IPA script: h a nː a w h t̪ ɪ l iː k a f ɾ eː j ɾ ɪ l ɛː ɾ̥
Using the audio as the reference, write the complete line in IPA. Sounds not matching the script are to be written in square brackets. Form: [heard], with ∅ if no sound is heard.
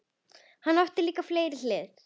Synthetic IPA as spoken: h a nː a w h t̪ ɪ l iː k a f [l] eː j ɾ ɪ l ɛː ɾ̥